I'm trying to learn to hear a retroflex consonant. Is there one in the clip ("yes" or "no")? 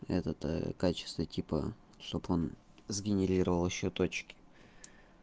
yes